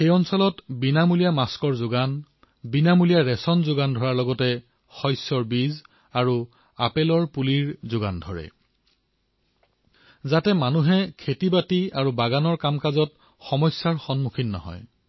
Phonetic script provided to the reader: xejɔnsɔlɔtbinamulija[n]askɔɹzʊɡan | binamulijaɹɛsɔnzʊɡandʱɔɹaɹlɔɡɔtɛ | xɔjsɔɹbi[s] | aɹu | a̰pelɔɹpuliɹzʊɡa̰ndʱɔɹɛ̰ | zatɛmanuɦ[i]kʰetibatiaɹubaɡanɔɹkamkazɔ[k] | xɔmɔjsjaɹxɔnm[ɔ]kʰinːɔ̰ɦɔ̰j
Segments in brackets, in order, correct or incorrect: incorrect, incorrect, incorrect, incorrect, incorrect

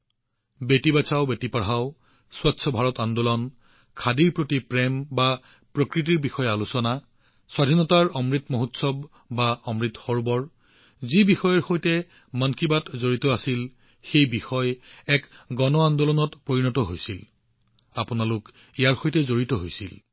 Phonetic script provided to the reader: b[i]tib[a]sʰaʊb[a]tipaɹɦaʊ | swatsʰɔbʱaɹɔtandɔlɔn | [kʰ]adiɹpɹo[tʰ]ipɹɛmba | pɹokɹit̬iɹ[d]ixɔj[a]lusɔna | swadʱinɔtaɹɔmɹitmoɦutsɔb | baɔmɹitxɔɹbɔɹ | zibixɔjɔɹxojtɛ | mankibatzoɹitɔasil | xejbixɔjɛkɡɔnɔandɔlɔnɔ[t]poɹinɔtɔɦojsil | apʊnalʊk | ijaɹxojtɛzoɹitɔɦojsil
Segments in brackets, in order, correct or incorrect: incorrect, correct, incorrect, correct, incorrect, incorrect, correct, correct

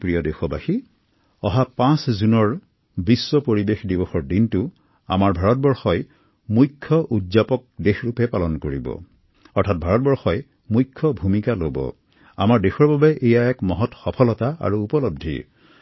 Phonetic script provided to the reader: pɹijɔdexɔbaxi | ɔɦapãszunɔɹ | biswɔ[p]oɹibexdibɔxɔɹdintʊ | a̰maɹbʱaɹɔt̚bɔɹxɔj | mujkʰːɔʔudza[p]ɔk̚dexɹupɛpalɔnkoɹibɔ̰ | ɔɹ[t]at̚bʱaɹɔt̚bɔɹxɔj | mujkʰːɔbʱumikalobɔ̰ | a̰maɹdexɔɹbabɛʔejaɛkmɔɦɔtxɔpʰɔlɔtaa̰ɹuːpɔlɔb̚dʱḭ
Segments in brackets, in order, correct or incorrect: correct, correct, incorrect

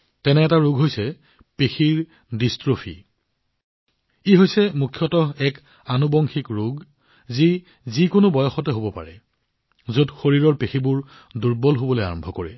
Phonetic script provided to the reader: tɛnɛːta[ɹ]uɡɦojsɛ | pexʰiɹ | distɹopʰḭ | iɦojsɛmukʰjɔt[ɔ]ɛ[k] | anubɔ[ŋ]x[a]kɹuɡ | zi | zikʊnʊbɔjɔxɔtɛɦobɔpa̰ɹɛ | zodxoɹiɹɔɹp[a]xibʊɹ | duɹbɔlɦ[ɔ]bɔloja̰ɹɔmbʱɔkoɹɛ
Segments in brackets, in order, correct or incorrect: correct, correct, correct, correct, incorrect, incorrect, incorrect

